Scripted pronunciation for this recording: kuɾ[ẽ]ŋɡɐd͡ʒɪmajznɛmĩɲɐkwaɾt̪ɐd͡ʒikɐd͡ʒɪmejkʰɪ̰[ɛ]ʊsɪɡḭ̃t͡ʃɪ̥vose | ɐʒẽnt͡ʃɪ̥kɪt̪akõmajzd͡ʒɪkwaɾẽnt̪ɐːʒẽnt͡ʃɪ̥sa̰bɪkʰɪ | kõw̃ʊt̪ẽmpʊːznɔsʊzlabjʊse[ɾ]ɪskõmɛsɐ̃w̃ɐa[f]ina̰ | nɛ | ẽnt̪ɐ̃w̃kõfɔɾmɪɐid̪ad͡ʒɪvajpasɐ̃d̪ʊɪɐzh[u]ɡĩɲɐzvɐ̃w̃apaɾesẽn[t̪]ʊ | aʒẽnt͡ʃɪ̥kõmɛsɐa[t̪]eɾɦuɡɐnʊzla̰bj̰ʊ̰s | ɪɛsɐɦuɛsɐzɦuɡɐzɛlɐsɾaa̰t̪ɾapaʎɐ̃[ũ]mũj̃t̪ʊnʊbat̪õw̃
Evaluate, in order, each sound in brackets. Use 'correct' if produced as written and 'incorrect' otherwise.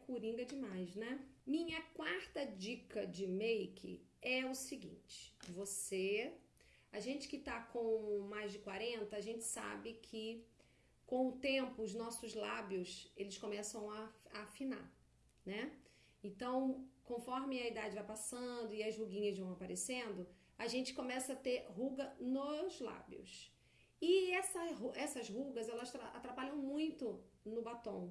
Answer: incorrect: ĩ, correct, incorrect: l, correct, correct, incorrect: d̪, correct, incorrect: w̃

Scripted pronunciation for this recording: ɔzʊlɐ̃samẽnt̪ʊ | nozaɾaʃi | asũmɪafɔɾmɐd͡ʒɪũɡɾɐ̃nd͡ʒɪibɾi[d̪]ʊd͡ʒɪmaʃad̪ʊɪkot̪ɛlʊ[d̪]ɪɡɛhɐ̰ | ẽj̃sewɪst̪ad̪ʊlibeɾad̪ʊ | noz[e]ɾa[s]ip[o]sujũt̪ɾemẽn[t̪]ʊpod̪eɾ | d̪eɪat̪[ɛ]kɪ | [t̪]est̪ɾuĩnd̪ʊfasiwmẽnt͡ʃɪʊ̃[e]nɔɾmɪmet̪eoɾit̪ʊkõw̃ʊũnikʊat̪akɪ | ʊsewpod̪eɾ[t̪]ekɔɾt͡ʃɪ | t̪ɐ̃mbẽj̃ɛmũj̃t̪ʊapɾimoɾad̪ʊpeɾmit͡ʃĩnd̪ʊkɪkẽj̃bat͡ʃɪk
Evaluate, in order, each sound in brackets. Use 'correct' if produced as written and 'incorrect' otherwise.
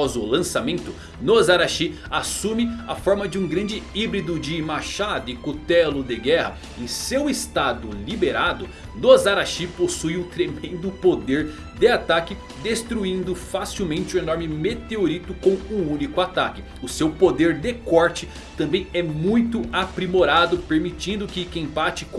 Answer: correct, correct, incorrect: a, incorrect: ʃ, correct, incorrect: d̪, incorrect: a, incorrect: d̪, correct, incorrect: d̪

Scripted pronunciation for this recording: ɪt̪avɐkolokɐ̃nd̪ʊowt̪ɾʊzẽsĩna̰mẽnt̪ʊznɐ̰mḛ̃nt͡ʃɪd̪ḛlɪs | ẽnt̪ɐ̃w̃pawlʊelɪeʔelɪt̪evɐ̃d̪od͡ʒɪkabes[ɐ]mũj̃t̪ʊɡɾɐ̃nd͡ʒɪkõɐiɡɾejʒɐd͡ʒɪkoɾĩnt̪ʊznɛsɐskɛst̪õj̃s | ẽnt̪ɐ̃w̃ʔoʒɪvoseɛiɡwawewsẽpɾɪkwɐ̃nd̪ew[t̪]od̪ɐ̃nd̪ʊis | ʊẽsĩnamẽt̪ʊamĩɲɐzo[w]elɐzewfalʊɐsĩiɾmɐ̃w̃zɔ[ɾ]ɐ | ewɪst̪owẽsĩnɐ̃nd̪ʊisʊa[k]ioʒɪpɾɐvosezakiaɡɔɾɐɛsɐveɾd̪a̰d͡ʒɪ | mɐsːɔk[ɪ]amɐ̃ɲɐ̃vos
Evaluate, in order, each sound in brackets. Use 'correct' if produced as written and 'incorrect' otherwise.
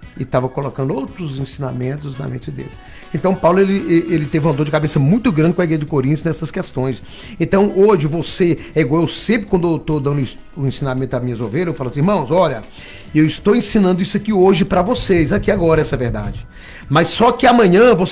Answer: correct, correct, incorrect: v, incorrect: ʎ, correct, correct

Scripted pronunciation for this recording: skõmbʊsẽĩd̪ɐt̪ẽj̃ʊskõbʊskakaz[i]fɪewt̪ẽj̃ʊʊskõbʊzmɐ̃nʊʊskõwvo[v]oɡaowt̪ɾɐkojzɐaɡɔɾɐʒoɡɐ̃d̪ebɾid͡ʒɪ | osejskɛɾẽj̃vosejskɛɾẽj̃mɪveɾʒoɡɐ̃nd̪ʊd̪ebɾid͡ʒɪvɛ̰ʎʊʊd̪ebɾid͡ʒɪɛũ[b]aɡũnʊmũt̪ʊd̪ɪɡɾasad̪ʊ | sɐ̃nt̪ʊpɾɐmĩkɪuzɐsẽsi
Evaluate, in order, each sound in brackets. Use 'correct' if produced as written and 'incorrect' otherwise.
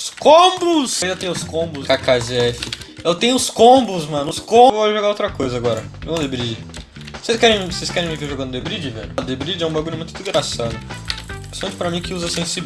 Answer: incorrect: ɛ, incorrect: ʒ, correct

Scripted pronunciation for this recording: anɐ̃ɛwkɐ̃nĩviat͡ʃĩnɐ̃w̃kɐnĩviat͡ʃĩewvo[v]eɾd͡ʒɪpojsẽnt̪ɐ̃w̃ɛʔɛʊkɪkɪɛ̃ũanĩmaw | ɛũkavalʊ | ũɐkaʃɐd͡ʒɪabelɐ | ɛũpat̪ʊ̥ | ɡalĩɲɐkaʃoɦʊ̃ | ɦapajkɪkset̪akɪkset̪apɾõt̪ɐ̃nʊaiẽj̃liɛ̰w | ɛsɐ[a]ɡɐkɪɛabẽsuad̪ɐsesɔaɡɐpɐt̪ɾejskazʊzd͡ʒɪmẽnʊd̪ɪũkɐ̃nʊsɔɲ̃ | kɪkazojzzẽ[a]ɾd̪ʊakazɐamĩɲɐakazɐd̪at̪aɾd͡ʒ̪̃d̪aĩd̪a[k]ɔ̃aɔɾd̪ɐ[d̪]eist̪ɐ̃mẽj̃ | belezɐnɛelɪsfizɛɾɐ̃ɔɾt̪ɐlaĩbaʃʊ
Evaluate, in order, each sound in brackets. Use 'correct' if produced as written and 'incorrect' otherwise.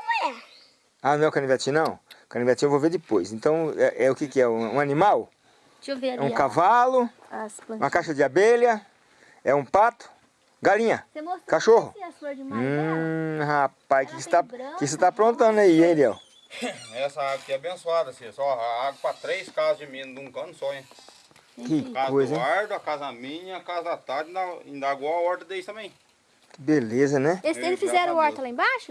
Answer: correct, correct, correct, incorrect: ɡ, correct

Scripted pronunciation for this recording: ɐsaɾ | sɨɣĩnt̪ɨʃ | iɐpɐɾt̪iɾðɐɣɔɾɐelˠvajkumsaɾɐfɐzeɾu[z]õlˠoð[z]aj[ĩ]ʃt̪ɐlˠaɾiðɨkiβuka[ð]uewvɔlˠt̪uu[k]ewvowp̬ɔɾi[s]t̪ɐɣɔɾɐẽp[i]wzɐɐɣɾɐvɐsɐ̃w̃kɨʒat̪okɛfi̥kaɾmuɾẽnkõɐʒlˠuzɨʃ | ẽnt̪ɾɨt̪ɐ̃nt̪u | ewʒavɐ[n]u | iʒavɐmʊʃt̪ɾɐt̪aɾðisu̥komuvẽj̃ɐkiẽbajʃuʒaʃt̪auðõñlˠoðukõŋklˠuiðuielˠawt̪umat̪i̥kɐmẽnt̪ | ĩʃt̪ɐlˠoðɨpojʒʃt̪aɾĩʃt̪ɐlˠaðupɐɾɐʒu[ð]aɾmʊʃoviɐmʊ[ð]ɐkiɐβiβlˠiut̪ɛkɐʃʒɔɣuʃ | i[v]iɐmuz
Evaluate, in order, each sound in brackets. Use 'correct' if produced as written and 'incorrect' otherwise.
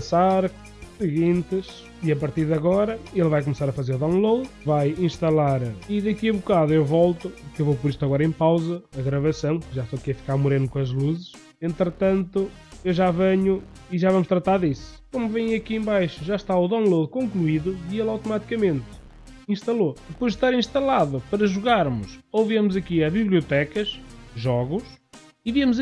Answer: incorrect: ð, incorrect: v, correct, correct, correct, incorrect: ʃ, incorrect: a, incorrect: ɲ, incorrect: ɣ, incorrect: z, correct

